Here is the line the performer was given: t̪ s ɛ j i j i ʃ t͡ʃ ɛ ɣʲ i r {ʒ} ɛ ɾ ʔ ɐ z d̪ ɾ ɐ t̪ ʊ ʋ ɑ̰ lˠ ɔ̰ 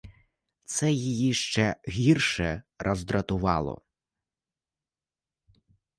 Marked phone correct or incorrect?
incorrect